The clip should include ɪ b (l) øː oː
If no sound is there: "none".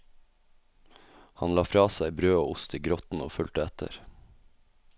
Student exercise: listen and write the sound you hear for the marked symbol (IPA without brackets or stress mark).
ɾ